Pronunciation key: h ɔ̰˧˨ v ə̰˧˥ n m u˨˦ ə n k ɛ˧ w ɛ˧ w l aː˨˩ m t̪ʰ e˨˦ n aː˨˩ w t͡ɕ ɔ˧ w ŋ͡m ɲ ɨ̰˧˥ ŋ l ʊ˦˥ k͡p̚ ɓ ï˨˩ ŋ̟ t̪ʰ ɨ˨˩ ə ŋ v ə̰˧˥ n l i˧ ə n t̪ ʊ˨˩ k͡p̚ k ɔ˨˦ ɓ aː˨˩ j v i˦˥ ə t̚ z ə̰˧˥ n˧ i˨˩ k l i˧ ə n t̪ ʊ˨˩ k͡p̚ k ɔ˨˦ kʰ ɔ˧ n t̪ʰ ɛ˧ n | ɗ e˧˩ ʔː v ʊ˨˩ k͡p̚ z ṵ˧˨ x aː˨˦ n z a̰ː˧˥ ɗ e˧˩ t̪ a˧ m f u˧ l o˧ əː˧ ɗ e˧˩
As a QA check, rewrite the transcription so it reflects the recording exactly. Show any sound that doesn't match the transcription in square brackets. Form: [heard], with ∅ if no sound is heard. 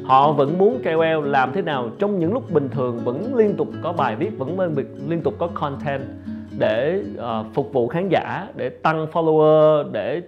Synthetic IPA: h ɔ̰˧˨ v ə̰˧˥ n m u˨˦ ə n k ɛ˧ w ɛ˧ w l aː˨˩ m t̪ʰ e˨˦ n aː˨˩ w t͡ɕ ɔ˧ w ŋ͡m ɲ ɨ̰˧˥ ŋ l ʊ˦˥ k͡p̚ ɓ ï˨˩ ŋ̟ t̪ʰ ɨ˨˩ ə ŋ v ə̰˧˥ n l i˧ ə n t̪ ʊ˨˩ k͡p̚ k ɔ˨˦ ɓ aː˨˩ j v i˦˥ ə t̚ [v] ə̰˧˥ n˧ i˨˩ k l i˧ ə n t̪ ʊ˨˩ k͡p̚ k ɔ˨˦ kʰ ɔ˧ n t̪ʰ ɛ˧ n | ɗ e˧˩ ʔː [f] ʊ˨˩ k͡p̚ [v] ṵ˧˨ x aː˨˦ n z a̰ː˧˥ ɗ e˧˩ t̪ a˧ [ŋ] f [ɔ˧] l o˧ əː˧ ɗ e˧˩